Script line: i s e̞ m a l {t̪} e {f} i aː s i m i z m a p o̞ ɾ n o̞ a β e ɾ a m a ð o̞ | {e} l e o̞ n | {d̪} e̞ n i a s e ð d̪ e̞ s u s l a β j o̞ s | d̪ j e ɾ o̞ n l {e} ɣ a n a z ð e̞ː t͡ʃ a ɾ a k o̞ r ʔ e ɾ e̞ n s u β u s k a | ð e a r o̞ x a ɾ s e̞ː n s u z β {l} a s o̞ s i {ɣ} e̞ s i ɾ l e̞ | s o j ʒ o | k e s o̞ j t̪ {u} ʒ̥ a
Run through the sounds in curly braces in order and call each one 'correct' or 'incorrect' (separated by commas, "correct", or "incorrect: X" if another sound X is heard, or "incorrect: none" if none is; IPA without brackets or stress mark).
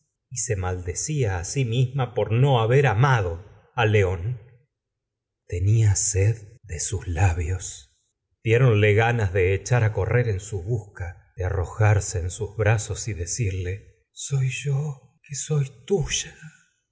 incorrect: d̪, incorrect: s, incorrect: a, incorrect: t̪, correct, incorrect: ɾ, incorrect: ð, correct